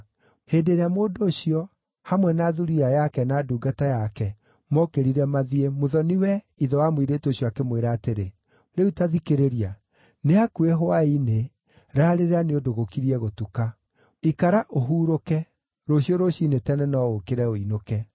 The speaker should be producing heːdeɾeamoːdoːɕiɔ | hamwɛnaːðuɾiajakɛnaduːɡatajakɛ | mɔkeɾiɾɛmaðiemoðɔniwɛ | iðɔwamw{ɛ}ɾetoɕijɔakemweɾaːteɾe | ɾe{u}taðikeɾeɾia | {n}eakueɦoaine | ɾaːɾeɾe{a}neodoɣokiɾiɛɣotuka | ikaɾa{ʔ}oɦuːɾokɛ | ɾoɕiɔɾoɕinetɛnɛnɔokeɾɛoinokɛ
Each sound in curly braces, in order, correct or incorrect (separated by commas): incorrect, correct, correct, correct, correct